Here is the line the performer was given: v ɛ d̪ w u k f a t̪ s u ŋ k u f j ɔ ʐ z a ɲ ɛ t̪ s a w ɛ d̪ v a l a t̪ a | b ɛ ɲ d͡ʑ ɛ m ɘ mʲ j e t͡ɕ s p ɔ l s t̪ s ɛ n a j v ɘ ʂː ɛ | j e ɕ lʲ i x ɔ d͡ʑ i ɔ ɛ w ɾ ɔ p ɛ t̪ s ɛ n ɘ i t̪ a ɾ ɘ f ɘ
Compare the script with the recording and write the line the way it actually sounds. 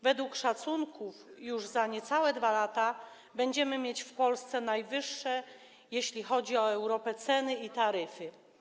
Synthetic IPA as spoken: v ɛ d̪ w u k ʂ a t̪ s u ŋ k u f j u ʐ z a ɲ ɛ t̪ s a w ɛ d̪ v a l a t̪ a | b ɛ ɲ d͡ʑ ɛ m ɘ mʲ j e t͡ɕ f p ɔ l s t̪ s ɛ n a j v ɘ ʂː ɛ | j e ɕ lʲ i x ɔ d͡ʑ i ɔ ɛ w ɾ ɔ p ɛ t̪ s ɛ n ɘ i t̪ a ɾ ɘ f ɘ